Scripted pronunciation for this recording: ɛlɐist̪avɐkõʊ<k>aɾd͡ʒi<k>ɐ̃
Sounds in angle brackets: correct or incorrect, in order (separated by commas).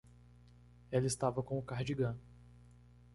correct, incorrect